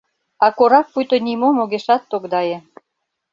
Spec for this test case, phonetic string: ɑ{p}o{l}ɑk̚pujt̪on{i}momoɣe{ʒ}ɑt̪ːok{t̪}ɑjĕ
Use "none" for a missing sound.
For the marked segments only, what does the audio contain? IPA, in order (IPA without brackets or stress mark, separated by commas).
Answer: k, ɾ, i, ʃ, d̪